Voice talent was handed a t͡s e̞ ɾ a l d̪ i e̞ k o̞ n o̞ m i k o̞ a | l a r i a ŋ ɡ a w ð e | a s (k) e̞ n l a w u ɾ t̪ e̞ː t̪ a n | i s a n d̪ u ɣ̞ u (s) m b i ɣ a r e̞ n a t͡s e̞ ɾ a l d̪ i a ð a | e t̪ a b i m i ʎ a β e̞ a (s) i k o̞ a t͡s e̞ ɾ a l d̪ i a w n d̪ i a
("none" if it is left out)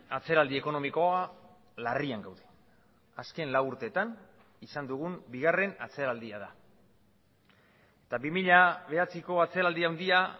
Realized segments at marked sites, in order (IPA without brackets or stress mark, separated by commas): k, none, t͡s